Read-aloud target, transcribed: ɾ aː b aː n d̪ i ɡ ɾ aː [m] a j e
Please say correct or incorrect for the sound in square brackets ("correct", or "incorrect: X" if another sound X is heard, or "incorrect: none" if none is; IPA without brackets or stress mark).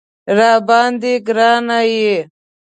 incorrect: n